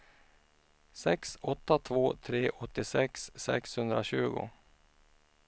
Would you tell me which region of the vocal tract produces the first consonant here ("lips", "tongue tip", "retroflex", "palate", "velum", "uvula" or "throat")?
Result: tongue tip